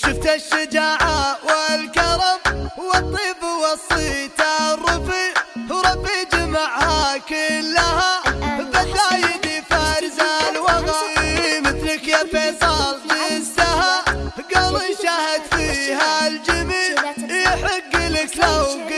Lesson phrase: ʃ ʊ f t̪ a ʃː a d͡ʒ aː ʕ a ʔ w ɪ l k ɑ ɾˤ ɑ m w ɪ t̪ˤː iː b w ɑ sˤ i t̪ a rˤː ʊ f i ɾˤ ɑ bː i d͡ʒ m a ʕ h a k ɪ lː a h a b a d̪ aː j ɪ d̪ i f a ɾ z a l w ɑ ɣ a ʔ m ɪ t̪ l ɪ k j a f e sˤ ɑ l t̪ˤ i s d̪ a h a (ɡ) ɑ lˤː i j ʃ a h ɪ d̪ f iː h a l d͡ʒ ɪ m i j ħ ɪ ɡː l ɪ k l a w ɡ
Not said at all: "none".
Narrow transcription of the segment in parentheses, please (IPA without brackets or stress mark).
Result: ɡ